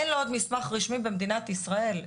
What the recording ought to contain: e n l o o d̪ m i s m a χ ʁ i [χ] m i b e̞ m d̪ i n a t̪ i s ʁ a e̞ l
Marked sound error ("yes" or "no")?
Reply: yes